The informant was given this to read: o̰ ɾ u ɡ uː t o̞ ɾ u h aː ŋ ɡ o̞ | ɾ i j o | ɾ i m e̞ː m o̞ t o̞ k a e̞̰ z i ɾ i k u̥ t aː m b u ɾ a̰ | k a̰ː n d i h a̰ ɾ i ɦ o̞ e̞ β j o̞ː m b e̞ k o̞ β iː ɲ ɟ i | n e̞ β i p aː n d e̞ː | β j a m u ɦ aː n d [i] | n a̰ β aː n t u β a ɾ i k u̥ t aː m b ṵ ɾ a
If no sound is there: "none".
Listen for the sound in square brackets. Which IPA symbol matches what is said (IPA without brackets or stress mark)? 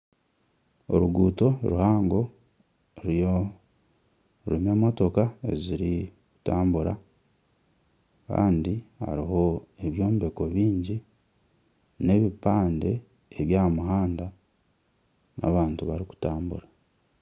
a